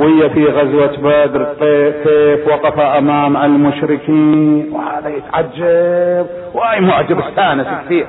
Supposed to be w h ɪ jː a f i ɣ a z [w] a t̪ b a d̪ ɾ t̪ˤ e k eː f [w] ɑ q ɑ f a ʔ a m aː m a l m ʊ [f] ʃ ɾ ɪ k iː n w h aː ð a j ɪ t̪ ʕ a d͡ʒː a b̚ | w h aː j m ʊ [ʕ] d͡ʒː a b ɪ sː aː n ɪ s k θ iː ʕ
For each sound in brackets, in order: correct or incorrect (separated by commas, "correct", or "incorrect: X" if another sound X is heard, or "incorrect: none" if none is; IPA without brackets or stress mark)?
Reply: correct, correct, incorrect: none, correct